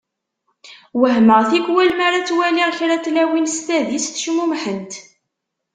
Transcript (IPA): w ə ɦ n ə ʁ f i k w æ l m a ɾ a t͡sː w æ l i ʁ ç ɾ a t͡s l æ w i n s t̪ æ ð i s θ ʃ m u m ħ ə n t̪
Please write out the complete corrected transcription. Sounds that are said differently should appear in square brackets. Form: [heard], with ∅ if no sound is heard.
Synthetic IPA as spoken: w ə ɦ [m] ə ʁ [θ] i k w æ l m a ɾ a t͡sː w æ l i ʁ ç ɾ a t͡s l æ w i n s t̪ æ ð i s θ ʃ m u m ħ ə n t̪

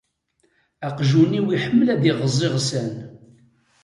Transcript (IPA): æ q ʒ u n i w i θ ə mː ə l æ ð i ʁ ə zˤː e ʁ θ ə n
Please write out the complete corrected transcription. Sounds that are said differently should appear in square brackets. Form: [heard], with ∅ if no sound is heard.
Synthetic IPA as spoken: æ q ʒ u n i w i [ħ] ə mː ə l æ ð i ʁ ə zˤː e ʁ [s] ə n

